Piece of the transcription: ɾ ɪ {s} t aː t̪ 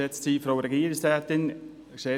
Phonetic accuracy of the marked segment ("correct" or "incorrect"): correct